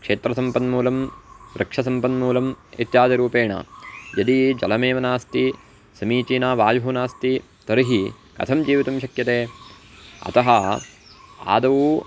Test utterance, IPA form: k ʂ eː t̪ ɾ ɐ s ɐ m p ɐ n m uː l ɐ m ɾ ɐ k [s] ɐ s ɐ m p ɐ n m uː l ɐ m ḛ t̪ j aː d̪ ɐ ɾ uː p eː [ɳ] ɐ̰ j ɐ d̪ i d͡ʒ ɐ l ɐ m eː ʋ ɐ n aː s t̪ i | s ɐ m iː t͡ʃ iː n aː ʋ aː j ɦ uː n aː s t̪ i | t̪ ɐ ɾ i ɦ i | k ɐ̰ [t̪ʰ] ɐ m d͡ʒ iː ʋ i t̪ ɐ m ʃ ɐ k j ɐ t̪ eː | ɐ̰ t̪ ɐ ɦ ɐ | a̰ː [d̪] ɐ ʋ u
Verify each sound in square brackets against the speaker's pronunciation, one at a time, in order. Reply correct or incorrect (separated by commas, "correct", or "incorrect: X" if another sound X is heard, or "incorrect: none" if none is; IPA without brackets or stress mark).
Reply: incorrect: ʂ, correct, correct, correct